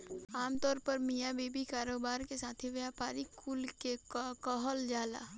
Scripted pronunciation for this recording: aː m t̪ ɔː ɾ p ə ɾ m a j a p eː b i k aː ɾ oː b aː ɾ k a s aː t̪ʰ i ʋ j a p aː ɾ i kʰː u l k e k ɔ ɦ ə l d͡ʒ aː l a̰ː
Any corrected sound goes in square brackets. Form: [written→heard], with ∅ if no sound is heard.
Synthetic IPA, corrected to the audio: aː m t̪ ɔː ɾ p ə ɾ m [a→i] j a [p→b] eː b i k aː ɾ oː b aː ɾ k [a→e] s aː t̪ʰ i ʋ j a p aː ɾ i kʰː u l k e k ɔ ɦ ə l d͡ʒ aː l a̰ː